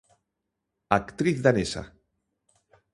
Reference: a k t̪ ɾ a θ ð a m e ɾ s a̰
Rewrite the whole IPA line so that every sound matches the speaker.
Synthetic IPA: a k t̪ ɾ i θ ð a n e s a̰